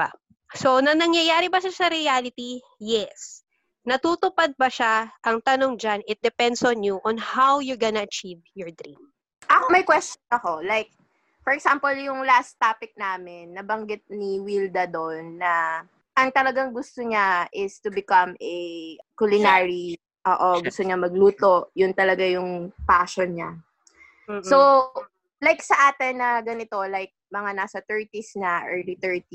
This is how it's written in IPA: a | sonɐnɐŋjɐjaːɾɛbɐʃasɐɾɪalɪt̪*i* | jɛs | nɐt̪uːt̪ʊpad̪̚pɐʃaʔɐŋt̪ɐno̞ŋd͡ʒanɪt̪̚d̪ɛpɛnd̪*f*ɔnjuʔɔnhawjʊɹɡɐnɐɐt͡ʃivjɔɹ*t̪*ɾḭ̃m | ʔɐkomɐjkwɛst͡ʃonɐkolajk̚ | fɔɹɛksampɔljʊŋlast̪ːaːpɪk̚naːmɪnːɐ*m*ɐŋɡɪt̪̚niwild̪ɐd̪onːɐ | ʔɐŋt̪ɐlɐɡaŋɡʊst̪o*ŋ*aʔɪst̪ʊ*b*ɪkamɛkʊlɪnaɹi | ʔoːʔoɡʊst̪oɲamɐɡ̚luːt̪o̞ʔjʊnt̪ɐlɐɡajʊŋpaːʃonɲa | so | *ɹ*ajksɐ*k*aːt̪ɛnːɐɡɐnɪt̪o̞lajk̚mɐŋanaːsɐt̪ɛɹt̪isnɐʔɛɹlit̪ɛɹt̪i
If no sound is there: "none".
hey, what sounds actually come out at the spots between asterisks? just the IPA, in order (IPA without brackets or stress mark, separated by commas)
i, s, d̪, b, ɲ, b, l, ʔ